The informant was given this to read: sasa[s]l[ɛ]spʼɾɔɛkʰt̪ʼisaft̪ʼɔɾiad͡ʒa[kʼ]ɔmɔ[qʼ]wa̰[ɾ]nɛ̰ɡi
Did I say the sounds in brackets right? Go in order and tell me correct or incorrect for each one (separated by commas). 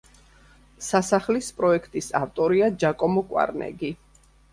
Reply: incorrect, incorrect, correct, incorrect, correct